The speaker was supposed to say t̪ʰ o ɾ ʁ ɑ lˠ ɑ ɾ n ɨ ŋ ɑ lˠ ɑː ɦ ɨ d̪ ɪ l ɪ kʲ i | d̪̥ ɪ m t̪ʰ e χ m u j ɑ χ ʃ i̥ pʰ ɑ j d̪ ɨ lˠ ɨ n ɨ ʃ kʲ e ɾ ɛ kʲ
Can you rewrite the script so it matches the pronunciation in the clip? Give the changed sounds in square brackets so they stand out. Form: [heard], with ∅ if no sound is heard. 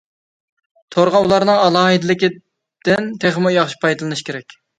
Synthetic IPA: t̪ʰ o ɾ ʁ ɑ lˠ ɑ ɾ n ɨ ŋ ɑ lˠ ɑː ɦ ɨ d̪ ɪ l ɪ kʲ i | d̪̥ ɪ [n] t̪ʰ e χ m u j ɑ χ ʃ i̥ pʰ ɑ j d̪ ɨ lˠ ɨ n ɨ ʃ kʲ e ɾ ɛ kʲ